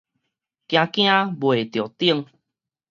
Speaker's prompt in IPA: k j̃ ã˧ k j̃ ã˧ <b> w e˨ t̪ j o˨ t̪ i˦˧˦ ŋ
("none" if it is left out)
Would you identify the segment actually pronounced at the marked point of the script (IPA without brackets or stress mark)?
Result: b